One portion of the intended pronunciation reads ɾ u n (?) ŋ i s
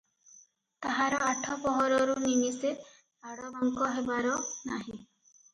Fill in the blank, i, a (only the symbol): i